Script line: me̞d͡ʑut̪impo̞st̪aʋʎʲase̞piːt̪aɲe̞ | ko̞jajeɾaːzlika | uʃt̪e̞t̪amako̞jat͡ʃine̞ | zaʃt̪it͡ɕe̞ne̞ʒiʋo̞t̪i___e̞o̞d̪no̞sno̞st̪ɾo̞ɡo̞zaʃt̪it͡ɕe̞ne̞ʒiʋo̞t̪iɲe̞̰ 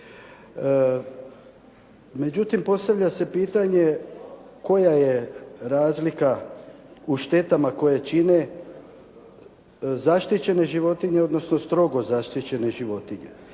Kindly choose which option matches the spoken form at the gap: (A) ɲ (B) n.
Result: A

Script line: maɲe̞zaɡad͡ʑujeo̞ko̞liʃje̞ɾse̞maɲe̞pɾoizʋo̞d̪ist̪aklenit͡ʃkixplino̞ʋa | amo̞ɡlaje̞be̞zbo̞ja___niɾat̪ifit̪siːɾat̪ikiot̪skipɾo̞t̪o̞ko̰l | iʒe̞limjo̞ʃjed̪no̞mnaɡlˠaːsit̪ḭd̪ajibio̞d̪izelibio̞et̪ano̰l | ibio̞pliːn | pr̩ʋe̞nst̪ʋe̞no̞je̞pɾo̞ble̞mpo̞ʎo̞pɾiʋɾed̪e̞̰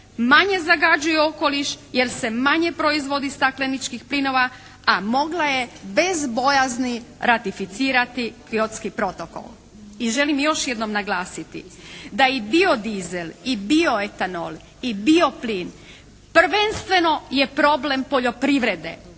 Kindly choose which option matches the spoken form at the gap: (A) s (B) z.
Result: B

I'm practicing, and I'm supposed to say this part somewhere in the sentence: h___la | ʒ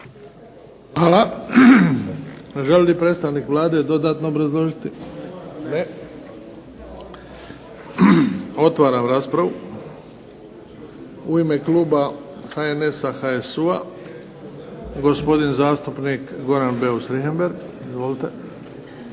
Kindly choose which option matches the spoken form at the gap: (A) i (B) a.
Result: B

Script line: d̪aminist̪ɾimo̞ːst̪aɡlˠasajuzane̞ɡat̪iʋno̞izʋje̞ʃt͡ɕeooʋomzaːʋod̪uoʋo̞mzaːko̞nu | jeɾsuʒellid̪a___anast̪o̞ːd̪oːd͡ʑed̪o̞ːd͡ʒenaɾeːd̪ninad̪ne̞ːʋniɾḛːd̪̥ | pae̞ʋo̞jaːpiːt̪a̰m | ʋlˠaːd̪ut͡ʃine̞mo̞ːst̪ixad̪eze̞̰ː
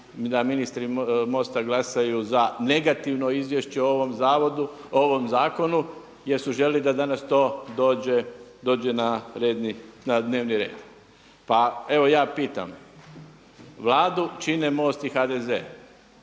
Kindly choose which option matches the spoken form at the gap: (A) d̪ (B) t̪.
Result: A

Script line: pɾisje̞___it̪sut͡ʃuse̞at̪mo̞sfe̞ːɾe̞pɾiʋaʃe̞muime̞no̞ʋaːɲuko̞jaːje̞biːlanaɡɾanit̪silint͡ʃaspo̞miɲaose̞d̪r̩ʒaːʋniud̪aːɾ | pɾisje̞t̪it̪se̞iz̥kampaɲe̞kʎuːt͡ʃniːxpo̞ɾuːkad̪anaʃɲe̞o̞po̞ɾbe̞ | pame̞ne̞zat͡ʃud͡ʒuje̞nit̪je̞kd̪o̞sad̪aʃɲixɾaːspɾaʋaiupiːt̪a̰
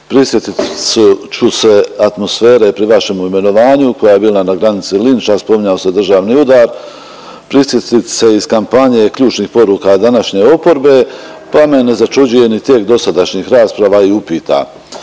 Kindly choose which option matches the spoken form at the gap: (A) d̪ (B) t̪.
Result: B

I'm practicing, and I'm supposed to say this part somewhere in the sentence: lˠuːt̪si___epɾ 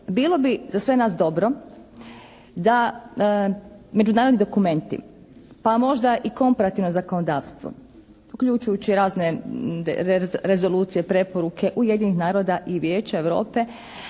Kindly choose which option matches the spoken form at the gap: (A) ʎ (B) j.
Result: B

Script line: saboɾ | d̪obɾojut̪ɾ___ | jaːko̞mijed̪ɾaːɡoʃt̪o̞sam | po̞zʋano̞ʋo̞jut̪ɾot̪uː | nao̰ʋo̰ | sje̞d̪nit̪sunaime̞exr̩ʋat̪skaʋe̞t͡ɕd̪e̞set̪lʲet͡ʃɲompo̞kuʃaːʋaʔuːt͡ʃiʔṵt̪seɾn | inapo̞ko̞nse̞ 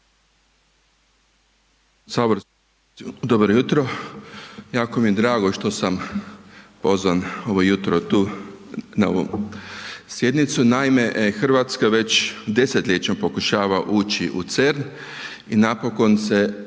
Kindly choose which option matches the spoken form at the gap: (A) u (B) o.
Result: B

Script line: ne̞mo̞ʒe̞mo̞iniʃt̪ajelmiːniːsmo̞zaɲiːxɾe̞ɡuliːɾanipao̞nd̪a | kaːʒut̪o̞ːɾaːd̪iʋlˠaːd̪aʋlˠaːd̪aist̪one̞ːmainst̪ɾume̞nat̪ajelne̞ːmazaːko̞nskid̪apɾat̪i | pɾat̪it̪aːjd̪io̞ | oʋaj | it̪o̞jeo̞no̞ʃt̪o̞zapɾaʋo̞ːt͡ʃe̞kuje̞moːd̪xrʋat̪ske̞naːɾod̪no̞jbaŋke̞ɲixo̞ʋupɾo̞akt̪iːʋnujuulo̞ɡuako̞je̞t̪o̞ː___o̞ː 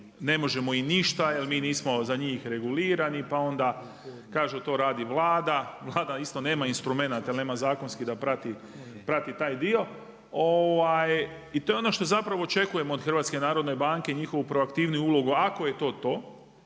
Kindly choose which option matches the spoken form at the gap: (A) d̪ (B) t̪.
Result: B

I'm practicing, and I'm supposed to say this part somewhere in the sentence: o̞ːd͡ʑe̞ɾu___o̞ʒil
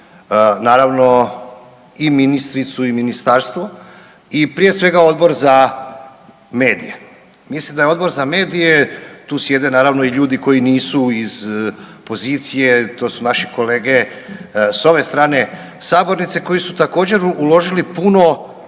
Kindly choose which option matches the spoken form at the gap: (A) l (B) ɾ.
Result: A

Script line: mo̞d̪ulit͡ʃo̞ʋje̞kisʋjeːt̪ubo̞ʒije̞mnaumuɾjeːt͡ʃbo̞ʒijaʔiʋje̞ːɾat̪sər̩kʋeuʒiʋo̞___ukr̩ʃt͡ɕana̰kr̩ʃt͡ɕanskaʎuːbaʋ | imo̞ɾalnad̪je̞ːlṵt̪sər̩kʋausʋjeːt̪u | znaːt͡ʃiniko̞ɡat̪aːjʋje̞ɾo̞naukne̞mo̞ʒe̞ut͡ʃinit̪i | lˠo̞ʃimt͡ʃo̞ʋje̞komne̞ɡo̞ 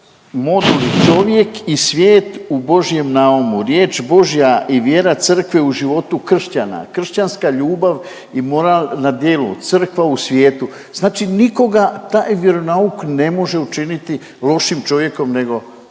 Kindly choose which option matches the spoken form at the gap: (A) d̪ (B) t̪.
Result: B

